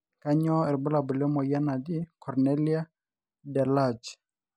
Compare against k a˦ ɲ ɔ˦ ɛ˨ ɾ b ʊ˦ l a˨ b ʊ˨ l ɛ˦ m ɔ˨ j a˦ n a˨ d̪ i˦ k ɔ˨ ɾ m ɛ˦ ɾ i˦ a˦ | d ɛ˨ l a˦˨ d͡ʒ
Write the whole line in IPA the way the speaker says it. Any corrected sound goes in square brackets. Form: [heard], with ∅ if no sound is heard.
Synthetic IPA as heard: k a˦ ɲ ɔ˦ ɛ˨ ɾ b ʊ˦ l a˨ b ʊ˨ l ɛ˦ m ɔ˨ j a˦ n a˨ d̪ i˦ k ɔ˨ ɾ [n] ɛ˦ [l] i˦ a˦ | d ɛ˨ l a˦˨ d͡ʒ